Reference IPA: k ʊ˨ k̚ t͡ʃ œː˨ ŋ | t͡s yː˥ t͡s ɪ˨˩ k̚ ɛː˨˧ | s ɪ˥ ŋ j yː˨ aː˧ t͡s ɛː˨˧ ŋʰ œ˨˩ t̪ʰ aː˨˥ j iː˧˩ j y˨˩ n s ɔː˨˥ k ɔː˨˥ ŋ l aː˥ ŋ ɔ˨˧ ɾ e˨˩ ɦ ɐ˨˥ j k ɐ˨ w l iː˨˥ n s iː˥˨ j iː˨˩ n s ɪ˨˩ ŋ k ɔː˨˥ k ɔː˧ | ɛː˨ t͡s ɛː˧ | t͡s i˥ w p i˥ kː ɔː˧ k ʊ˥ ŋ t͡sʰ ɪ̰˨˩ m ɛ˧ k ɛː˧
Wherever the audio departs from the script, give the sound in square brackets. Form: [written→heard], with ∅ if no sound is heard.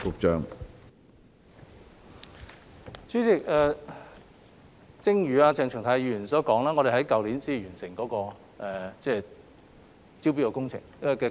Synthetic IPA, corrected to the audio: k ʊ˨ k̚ t͡ʃ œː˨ ŋ | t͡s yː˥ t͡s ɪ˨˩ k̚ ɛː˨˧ | [s→t͡s] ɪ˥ ŋ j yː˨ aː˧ t͡s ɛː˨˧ ŋʰ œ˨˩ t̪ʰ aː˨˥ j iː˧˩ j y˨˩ n s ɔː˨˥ k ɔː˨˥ ŋ l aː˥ ŋ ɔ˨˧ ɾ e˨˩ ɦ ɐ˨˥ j k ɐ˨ w l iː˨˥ n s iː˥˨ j [iː˨˩→yː˨˩] n s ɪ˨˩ ŋ k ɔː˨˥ k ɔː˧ | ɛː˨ t͡s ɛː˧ | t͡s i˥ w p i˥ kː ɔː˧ k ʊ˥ ŋ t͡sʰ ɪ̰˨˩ [m→ŋ] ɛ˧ k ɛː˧